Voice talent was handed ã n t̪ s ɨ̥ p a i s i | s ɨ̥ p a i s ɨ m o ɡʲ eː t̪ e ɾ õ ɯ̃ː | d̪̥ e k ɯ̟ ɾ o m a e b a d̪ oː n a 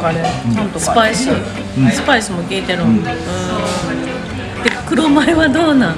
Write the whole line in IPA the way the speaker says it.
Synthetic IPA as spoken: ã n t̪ s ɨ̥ p a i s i | s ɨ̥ p a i s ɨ m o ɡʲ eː t̪ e ɾ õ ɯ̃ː | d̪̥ e k ɯ̟ ɾ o m a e β a d̪ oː n a